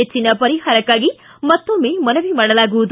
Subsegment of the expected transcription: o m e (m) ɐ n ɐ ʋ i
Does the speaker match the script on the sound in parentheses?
yes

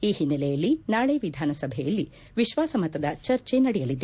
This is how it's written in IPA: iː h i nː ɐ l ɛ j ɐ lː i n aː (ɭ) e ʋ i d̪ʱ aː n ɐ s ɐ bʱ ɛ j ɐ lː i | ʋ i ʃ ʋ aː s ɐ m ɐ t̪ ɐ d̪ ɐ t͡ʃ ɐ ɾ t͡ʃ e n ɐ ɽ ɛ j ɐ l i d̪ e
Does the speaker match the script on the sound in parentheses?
yes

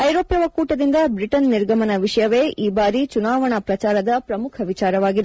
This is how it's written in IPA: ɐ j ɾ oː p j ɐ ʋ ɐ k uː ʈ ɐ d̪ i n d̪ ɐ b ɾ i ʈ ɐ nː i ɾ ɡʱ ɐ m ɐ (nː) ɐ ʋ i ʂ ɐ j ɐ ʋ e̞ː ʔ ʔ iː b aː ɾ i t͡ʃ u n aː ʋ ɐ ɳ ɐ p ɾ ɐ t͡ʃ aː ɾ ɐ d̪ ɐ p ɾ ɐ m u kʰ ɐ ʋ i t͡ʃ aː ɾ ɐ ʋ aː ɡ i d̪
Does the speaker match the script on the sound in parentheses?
no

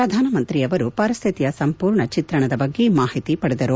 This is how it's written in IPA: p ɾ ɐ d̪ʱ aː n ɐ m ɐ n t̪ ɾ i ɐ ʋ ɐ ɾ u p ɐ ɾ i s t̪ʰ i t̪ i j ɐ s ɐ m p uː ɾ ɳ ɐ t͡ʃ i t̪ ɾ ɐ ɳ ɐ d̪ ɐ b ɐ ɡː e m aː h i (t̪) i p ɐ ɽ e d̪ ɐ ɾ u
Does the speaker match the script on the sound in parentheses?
yes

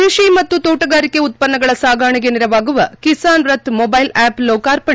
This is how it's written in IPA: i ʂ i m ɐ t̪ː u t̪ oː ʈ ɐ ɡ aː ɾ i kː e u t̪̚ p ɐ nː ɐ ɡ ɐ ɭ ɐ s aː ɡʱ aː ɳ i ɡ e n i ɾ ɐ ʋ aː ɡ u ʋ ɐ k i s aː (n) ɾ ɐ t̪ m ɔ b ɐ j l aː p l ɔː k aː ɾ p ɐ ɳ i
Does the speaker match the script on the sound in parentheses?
yes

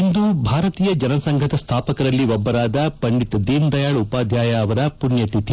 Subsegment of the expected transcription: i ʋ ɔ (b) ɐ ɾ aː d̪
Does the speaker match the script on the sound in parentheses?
no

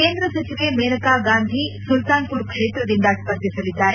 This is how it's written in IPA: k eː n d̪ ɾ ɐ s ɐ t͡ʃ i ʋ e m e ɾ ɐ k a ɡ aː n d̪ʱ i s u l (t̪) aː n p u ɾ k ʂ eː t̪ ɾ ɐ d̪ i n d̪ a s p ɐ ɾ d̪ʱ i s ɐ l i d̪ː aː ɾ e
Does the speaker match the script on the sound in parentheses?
yes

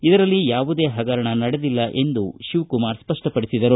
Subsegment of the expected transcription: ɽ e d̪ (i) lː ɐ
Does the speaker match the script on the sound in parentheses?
yes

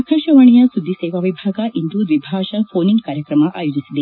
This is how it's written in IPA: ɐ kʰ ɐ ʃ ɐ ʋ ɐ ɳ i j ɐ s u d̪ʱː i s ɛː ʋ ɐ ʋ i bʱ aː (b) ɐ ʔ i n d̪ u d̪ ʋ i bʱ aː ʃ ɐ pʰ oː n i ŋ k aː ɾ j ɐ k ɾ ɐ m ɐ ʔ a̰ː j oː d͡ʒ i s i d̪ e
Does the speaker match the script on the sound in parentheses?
no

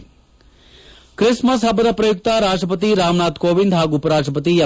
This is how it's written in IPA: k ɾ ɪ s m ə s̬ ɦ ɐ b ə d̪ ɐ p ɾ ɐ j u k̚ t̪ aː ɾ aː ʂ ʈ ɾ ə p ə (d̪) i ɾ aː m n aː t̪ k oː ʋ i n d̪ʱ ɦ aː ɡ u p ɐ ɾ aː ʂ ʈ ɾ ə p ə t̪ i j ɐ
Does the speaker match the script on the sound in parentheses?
no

